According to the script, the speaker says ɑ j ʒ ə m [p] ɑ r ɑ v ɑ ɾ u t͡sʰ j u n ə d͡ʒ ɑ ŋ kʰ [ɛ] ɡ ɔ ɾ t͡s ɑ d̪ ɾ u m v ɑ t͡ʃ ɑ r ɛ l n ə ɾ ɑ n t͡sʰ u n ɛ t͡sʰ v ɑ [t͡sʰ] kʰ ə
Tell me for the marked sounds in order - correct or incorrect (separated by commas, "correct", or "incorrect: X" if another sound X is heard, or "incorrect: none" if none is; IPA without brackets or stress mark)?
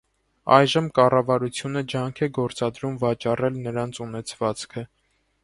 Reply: incorrect: k, correct, incorrect: t͡s